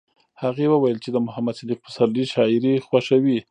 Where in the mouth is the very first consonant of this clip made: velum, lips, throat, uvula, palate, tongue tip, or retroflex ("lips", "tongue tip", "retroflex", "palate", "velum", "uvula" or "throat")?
throat